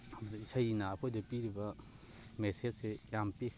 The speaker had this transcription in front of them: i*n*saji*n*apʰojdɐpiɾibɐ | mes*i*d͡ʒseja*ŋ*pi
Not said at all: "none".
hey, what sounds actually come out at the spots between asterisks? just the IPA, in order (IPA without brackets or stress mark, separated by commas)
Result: none, n, e, m